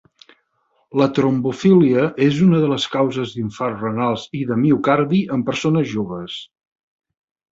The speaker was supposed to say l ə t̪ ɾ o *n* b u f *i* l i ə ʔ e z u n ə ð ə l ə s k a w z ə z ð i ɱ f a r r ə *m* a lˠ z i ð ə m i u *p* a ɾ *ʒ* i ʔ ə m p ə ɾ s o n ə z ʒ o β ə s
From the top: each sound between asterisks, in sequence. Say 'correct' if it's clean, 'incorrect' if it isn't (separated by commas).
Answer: incorrect, correct, incorrect, incorrect, incorrect